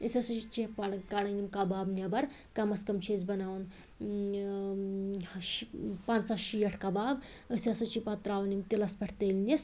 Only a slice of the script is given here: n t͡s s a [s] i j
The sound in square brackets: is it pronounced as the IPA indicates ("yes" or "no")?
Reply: no